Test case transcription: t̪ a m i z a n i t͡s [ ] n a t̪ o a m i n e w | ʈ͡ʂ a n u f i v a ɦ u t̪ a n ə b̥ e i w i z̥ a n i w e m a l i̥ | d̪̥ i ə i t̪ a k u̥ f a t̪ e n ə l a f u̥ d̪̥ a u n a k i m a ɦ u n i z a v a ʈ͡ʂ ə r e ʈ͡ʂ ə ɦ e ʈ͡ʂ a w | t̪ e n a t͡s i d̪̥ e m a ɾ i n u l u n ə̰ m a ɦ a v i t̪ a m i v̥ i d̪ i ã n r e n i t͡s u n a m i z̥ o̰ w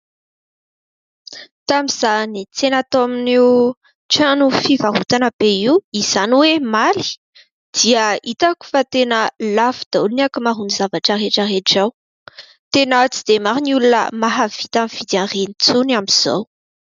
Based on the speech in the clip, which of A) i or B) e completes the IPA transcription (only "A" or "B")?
B